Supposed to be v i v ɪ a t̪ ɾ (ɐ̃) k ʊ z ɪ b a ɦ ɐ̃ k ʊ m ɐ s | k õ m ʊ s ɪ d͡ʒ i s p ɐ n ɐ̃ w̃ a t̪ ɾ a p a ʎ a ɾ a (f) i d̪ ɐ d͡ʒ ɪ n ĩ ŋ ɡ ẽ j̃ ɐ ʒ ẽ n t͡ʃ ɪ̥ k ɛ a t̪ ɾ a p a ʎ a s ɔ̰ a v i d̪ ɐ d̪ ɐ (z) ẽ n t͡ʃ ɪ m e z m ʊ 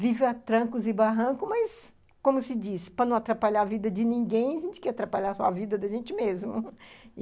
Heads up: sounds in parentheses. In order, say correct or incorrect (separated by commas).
correct, incorrect, incorrect